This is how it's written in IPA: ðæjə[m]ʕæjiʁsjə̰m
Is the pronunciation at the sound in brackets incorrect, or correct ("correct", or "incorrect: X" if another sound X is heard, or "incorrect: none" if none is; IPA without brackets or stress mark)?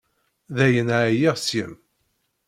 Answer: incorrect: n